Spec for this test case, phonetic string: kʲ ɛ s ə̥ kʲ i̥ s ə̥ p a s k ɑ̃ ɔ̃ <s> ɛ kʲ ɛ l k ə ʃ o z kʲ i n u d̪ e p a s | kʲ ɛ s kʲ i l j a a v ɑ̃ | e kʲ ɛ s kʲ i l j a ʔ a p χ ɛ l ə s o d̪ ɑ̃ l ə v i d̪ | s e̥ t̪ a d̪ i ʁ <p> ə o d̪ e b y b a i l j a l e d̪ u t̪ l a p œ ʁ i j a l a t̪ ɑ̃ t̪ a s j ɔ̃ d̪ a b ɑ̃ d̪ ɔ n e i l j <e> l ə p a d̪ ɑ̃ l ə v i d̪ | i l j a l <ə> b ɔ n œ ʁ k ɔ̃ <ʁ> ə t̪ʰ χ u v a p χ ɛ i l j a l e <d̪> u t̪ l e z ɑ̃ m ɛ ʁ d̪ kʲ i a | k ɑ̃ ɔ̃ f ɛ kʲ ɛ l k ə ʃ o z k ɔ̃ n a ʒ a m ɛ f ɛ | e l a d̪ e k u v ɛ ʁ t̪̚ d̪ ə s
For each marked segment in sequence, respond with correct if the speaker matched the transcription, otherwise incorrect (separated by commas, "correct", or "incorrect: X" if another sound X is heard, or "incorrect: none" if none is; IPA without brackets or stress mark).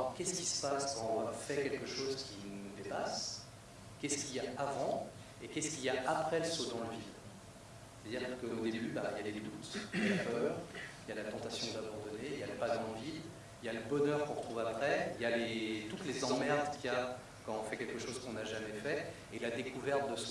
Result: incorrect: f, incorrect: k, incorrect: a, correct, correct, incorrect: t̪